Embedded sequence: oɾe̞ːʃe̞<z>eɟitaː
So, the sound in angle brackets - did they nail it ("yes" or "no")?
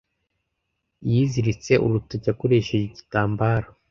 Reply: no